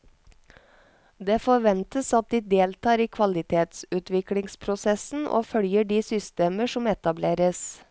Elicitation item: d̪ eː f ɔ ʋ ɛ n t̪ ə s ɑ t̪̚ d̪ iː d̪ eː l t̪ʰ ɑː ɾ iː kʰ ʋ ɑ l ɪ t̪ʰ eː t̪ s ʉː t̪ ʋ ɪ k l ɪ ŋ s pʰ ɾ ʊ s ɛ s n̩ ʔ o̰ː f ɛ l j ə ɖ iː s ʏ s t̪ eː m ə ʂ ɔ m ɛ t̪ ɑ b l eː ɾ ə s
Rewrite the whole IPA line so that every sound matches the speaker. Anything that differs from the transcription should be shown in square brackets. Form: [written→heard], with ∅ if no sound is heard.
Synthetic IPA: d̪ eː f ɔ ʋ ɛ n t̪ ə s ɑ t̪̚ d̪ iː d̪ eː l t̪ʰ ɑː ɾ iː kʰ ʋ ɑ l ɪ t̪ʰ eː t̪ s ʉː t̪ ʋ ɪ k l ɪ ŋ s pʰ ɾ ʊ s ɛ s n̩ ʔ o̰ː f [ɛ→œ] l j ə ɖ iː s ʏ s t̪ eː m ə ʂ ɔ m ɛ t̪ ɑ b l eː ɾ ə s